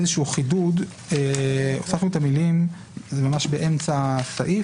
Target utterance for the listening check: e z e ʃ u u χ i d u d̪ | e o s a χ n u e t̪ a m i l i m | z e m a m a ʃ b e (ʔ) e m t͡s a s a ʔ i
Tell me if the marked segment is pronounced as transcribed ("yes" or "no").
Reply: yes